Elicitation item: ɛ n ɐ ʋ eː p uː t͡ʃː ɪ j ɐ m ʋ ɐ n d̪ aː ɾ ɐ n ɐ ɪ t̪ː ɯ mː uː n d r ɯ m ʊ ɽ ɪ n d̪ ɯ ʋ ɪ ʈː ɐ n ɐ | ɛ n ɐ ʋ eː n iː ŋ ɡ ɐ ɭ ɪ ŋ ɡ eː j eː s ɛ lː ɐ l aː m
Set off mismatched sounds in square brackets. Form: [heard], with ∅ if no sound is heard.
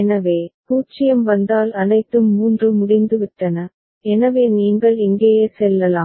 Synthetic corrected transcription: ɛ n ɐ ʋ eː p uː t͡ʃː ɪ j ɐ m ʋ ɐ n d̪ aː [l] ɐ n ɐ ɪ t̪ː ɯ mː uː n d r ɯ m ʊ ɽ ɪ n d̪ ɯ ʋ ɪ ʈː ɐ n ɐ | ɛ n ɐ ʋ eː n iː ŋ ɡ ɐ ɭ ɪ ŋ ɡ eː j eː s ɛ lː ɐ l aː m